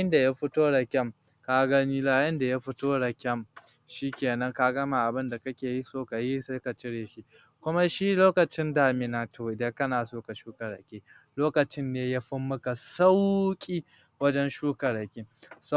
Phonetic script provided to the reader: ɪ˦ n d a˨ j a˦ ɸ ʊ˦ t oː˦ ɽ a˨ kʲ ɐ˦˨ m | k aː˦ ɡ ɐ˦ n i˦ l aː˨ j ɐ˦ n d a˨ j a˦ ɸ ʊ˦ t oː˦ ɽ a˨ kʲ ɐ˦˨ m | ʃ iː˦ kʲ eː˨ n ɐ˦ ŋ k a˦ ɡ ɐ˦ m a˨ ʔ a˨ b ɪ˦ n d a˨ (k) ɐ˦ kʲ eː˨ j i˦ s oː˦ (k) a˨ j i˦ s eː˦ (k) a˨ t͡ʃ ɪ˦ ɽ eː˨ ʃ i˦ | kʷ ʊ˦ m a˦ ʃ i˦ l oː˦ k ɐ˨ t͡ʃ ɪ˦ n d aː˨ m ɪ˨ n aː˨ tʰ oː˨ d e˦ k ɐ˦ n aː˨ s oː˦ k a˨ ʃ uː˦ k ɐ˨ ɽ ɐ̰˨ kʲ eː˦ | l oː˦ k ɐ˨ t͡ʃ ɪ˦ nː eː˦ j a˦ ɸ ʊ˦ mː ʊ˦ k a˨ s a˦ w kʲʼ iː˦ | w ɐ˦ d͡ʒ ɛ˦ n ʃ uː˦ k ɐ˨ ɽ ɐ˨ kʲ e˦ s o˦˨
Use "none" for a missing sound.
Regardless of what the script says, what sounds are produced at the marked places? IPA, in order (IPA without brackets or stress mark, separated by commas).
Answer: k, k, k